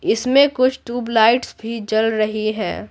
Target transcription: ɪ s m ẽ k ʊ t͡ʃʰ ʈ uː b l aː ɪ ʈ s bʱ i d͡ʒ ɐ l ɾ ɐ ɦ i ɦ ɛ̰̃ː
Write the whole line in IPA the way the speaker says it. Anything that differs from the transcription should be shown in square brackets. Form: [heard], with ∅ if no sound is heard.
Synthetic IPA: ɪ s m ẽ k ʊ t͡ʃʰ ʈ uː b l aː ɪ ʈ s bʱ i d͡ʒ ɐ l ɾ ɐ ɦ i ɦ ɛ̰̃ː